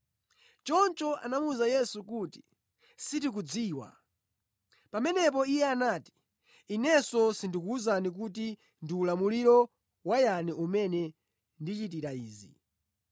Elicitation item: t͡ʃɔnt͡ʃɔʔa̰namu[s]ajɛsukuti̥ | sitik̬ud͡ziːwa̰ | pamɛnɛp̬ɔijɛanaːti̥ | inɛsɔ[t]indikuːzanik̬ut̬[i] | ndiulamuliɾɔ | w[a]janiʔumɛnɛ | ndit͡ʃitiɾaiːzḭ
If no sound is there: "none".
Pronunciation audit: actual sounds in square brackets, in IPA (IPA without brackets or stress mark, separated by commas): z, s, i, a